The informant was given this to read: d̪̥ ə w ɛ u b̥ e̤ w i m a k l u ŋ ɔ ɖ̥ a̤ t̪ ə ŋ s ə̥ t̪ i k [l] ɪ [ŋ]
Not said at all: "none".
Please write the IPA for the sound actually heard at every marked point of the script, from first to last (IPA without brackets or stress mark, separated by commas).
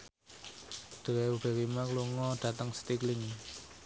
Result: l, ŋ